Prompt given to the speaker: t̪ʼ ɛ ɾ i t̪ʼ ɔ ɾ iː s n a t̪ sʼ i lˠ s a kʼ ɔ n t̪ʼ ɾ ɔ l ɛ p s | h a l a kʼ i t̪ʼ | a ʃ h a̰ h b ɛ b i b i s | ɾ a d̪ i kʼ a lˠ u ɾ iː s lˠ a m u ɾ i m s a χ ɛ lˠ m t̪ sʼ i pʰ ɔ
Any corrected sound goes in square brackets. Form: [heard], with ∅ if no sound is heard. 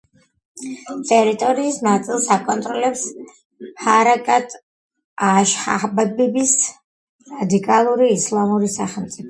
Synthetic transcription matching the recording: t̪ʼ ɛ ɾ i t̪ʼ ɔ ɾ iː s n a t̪ sʼ i lˠ s a kʼ ɔ n t̪ʼ ɾ ɔ l ɛ p s | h a [ɾ] a kʼ [a] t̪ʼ | a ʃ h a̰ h b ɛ b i b i s | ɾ a d̪ i kʼ a lˠ u ɾ iː s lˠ a m u ɾ i [∅] s a χ ɛ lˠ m t̪ sʼ i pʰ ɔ